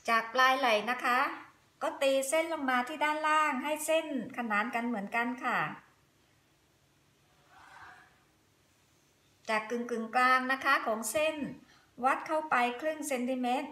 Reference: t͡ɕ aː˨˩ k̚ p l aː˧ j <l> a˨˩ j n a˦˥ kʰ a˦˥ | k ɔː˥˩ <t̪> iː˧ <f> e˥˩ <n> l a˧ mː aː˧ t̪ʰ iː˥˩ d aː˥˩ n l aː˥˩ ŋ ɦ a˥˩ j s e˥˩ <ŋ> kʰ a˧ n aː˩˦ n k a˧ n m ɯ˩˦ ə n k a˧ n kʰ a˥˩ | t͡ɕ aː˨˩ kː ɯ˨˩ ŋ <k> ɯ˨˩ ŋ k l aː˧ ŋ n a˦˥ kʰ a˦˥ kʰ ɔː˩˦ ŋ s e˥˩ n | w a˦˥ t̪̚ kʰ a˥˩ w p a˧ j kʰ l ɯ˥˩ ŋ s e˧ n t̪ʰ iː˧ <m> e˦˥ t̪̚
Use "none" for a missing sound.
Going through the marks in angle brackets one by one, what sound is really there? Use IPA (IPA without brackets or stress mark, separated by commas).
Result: l, t̪, s, n, n, k, m